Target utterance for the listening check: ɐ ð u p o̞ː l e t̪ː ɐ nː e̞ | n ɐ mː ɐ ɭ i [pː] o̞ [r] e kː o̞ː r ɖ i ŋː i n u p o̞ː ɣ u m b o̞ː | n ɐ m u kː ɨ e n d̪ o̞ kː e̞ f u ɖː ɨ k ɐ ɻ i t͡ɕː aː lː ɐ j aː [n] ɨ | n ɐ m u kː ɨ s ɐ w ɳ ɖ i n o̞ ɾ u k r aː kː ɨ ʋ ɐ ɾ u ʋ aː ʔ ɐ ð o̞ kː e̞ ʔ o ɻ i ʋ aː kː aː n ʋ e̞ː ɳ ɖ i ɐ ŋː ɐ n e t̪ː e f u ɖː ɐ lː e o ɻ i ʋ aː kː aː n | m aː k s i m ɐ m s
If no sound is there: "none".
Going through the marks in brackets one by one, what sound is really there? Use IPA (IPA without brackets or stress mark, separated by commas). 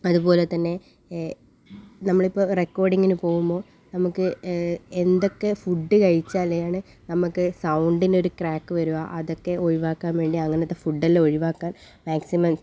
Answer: pː, r, ɳ